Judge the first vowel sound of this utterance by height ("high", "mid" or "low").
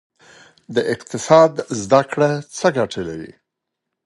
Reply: mid